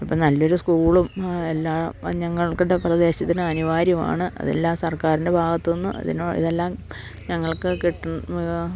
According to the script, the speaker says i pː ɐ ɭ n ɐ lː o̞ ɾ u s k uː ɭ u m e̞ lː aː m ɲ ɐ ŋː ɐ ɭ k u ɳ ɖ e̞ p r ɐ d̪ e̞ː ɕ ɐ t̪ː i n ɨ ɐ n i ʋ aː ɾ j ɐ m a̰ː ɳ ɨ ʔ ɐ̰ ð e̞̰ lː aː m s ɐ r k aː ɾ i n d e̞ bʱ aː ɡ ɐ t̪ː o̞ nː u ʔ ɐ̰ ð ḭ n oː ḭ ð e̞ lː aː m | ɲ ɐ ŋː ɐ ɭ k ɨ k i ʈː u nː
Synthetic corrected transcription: i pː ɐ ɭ n ɐ lː o̞ ɾ u s k uː ɭ u m e̞ lː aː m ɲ ɐ ŋː ɐ ɭ k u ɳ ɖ e̞ p r ɐ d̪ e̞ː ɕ ɐ t̪ː i n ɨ ɐ n i ʋ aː ɾ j ɐ m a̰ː ɳ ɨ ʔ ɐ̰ ð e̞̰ lː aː m s ɐ r k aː ɾ i n d e̞ bʱ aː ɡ ɐ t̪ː o̞ nː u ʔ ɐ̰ ð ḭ n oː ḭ ð e̞ lː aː m | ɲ ɐ ŋː ɐ ɭ k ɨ k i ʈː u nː